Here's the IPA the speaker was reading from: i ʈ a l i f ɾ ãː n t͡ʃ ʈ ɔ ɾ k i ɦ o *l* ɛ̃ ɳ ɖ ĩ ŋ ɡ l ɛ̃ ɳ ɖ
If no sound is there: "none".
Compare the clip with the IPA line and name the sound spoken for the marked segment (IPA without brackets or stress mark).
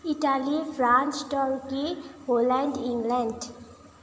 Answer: l